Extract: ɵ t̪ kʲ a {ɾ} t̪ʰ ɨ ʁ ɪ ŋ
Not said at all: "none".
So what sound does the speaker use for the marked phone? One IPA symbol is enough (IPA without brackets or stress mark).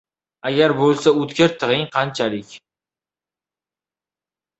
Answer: ɾ